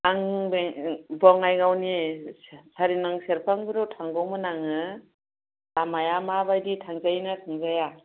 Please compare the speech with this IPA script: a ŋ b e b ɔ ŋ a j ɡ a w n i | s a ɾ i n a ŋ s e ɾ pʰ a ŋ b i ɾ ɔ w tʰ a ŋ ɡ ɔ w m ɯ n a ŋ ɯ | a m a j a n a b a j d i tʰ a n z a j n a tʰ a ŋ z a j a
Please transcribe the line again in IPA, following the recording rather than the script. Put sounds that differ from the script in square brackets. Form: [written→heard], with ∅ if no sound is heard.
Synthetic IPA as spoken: a ŋ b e b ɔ ŋ a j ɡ a w n i | s a ɾ i n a ŋ s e ɾ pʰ a ŋ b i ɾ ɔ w tʰ a ŋ ɡ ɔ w m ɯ n a ŋ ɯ | a m a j a [n→m] a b a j d i tʰ a [n→ŋ] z a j n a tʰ a ŋ z a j a